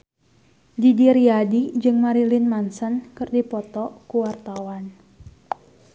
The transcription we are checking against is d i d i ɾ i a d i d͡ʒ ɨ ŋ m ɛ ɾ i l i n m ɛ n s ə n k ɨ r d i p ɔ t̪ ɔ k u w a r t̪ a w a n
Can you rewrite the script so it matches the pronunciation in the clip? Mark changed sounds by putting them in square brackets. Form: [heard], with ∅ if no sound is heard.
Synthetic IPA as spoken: d i d i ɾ i a d i d͡ʒ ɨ ŋ m [a] ɾ i l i n m [a] n s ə n k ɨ r d i p ɔ t̪ ɔ k u w a r t̪ a w a n